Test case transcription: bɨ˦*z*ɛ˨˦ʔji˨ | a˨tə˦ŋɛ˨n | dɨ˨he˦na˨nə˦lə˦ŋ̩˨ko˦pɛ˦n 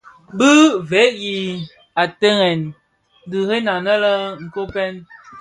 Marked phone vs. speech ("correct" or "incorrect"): incorrect